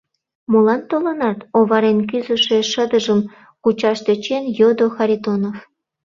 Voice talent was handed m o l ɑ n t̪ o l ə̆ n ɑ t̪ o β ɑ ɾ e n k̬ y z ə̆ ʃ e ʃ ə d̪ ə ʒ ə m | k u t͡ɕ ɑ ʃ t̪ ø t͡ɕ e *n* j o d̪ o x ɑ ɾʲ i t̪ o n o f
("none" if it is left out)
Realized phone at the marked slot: n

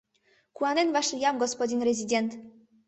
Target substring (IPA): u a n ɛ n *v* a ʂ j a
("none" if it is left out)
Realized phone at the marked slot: v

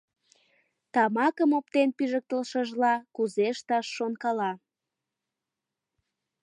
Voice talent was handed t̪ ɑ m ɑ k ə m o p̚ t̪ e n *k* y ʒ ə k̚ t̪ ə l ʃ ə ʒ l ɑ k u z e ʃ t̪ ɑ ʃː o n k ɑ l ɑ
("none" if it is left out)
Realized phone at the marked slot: p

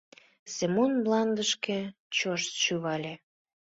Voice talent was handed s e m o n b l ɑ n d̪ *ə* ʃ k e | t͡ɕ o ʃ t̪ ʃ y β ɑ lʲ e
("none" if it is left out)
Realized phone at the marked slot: ə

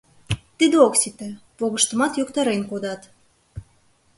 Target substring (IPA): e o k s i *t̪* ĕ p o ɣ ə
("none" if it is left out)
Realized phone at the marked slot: t̪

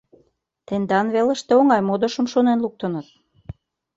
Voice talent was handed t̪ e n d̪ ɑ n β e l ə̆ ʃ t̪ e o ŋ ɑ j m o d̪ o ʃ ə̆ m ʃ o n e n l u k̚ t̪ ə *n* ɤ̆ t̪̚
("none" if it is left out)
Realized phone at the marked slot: n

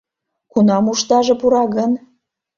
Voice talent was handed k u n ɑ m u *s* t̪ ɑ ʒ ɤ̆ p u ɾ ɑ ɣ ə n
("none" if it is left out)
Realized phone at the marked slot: ʃ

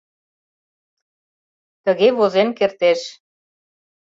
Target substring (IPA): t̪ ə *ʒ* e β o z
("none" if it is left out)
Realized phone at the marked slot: ɣ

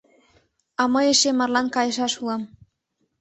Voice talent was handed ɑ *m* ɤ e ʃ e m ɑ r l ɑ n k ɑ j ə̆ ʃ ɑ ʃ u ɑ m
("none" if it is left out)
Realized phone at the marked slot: m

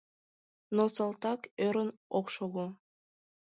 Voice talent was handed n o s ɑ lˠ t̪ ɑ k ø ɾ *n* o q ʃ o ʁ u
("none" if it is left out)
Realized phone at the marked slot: n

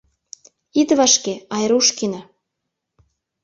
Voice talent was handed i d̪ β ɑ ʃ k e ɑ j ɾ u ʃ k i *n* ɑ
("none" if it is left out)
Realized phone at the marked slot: n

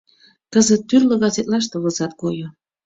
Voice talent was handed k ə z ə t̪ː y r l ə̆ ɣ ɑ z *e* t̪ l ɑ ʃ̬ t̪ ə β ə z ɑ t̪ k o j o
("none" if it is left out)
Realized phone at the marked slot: e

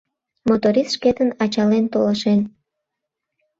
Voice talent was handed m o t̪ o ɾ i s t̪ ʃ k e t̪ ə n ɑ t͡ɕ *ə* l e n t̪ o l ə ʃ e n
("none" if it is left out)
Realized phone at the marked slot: ɑ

